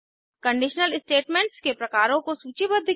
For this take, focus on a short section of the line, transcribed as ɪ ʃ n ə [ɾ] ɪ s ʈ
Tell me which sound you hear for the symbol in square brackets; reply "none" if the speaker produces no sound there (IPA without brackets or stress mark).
l